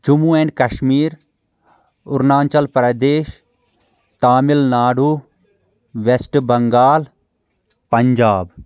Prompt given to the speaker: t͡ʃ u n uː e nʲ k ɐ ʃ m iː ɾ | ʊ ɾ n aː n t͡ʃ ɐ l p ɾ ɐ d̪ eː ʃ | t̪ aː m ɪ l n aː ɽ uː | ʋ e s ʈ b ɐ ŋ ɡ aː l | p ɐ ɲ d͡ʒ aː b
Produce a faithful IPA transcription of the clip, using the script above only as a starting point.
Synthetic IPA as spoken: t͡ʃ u m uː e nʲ k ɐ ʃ m iː ɾ | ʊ ɾ n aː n t͡ʃ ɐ l p ɾ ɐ d̪ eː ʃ | t̪ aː m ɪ l n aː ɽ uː | ʋ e s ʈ b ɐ ŋ ɡ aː l | p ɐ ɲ d͡ʒ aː b